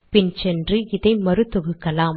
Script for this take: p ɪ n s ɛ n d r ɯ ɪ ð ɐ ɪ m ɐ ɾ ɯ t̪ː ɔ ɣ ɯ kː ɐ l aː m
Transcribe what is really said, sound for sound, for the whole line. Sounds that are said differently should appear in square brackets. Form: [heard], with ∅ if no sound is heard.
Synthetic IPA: p ɪ n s ɛ n d r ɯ ɪ ð ɐ ɪ m ɐ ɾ ɯ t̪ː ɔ ɣ ɯ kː ɐ l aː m